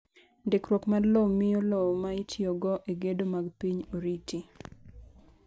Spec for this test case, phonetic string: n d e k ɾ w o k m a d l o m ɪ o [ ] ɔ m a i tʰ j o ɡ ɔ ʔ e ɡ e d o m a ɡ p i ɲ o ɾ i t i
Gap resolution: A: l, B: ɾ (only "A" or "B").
A